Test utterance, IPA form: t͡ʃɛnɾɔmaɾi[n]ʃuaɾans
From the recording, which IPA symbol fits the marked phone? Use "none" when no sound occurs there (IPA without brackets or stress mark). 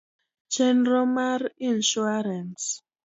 n